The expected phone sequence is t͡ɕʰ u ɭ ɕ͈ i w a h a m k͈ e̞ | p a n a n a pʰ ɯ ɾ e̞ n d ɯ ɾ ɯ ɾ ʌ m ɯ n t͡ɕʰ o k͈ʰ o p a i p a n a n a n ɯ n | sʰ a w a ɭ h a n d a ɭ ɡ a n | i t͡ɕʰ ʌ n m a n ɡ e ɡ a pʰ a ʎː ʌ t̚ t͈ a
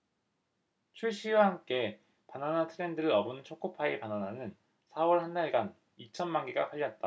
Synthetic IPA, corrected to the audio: t͡ɕʰ u ɭ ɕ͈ i w a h a m k͈ e̞ | p a n a n a tʰ ɯ ɾ e̞ n d ɯ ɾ ɯ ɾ ʌ b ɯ n t͡ɕʰ o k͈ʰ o pʰ a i p a n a n a n ɯ n | sʰ a w ʌ ɭ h a n d a ɭ ɡ a n | i t͡ɕʰ ʌ n m a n ɡ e ɡ a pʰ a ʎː ʌ t̚ t͈ a